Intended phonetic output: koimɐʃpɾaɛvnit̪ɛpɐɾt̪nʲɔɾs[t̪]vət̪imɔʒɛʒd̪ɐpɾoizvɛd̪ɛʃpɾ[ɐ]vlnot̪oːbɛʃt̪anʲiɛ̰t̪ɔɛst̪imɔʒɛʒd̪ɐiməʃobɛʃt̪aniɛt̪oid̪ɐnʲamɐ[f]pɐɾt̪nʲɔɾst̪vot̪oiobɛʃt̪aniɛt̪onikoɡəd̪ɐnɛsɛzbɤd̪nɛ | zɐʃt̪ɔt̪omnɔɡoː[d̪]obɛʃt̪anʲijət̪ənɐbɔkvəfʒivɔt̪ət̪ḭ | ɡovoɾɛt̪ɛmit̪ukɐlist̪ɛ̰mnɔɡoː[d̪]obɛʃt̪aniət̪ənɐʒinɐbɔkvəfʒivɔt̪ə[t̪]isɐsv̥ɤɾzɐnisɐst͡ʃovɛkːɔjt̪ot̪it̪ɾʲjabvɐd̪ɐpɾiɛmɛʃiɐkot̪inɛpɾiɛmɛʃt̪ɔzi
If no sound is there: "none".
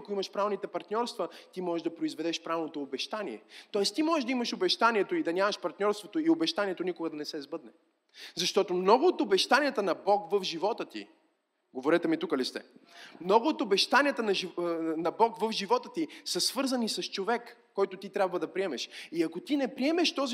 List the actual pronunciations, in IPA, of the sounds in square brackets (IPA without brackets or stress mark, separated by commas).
t̪, a, ʃ, t̪, t̪, t̪